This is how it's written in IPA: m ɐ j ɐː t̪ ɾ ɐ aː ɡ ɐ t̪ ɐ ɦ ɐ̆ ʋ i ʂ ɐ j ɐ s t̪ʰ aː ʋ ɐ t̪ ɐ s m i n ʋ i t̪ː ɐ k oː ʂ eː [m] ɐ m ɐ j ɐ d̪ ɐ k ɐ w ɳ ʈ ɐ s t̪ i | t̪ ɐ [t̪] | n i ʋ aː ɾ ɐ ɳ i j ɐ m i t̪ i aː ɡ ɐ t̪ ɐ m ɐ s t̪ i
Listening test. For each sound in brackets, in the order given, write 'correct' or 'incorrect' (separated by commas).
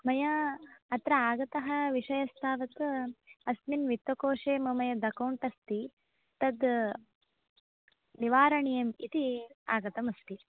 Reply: correct, incorrect